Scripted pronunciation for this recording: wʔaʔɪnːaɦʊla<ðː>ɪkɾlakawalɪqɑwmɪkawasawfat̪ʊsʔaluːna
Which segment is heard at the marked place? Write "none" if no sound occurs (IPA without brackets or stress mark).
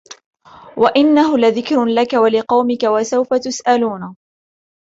ð